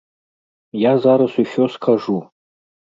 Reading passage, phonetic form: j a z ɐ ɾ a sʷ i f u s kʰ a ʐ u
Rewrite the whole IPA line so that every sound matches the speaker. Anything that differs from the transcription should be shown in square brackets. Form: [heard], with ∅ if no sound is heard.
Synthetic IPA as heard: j a z [a] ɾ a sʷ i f [o] s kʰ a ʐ u